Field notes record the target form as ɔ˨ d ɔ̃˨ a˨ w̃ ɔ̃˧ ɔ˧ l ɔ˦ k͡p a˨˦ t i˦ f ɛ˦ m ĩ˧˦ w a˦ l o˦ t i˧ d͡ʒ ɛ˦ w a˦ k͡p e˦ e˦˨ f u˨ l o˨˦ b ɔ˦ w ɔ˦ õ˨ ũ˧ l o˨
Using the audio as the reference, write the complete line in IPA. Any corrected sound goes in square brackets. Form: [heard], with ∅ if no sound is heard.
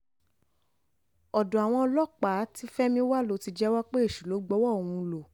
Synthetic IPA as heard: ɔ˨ d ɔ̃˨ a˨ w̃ ɔ̃˧ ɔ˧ l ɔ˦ k͡p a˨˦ t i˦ f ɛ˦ m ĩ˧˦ w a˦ l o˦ t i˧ d͡ʒ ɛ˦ w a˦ k͡p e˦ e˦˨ [ʃ] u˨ l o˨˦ [ɡ͡b] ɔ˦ w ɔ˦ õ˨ ũ˧ l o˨